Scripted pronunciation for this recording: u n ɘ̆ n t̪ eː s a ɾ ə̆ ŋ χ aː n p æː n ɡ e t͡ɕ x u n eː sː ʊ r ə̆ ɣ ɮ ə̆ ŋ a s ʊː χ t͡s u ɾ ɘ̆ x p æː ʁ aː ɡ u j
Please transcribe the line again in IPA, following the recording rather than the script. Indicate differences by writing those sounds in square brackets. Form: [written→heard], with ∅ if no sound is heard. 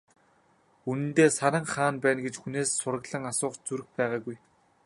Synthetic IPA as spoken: u n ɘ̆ n t̪ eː s a ɾ ə̆ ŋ χ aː n p æː n ɡ e t͡ɕ x u n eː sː ʊ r ə̆ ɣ ɮ ə̆ ŋ a s ʊː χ t͡s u ɾ ɘ̆ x p æː ʁ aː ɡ u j